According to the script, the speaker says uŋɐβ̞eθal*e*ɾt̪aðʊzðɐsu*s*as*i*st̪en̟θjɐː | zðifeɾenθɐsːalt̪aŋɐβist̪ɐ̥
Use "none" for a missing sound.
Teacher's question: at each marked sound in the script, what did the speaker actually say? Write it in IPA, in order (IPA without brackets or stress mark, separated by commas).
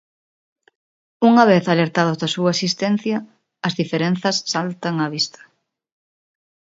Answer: e, none, i